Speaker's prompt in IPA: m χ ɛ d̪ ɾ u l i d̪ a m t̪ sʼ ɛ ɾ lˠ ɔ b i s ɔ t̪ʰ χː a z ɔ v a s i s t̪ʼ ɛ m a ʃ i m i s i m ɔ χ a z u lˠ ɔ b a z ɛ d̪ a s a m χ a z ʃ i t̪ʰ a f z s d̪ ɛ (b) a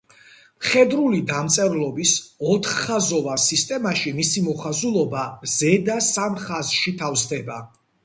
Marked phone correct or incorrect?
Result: correct